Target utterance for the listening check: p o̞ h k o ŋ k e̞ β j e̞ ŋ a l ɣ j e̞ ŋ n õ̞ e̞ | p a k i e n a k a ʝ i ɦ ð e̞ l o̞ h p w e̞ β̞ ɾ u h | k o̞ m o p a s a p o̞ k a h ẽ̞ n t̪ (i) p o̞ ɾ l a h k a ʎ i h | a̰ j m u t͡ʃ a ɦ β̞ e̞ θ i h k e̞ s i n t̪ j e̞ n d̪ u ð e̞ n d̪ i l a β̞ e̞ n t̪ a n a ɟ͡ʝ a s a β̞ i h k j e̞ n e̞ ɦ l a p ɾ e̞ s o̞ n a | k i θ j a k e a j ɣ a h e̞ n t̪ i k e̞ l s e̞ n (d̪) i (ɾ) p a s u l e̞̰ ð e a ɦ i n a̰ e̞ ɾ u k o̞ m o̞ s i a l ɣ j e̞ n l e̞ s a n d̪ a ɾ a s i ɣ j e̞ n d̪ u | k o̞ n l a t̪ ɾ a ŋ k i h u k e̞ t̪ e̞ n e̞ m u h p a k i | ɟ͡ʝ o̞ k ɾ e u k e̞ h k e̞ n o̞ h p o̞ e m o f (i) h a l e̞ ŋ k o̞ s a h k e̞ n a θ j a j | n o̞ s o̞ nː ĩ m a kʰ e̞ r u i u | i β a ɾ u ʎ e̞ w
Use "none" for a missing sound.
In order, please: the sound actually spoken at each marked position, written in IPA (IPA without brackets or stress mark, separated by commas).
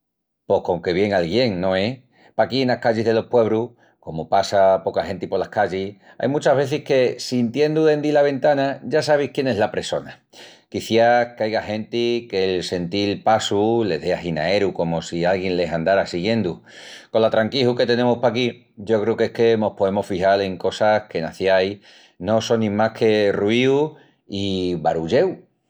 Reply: i, t̪, l, i